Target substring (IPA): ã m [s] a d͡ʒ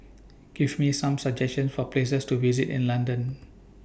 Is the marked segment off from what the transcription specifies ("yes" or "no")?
no